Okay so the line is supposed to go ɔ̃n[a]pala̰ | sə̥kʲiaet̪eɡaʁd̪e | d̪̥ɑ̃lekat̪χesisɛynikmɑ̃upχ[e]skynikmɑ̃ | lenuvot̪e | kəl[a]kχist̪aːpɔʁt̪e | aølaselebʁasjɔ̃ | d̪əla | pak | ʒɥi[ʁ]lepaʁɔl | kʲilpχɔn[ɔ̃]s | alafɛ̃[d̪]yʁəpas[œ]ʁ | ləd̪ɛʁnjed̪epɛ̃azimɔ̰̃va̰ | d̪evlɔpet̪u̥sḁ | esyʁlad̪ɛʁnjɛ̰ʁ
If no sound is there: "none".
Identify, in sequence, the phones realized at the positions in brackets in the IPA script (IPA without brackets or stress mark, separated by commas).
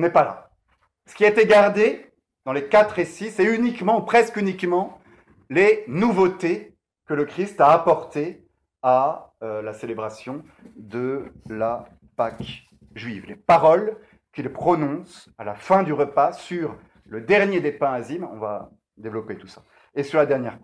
ɛ, ɛ, ə, v, ɔ̃, d̪, y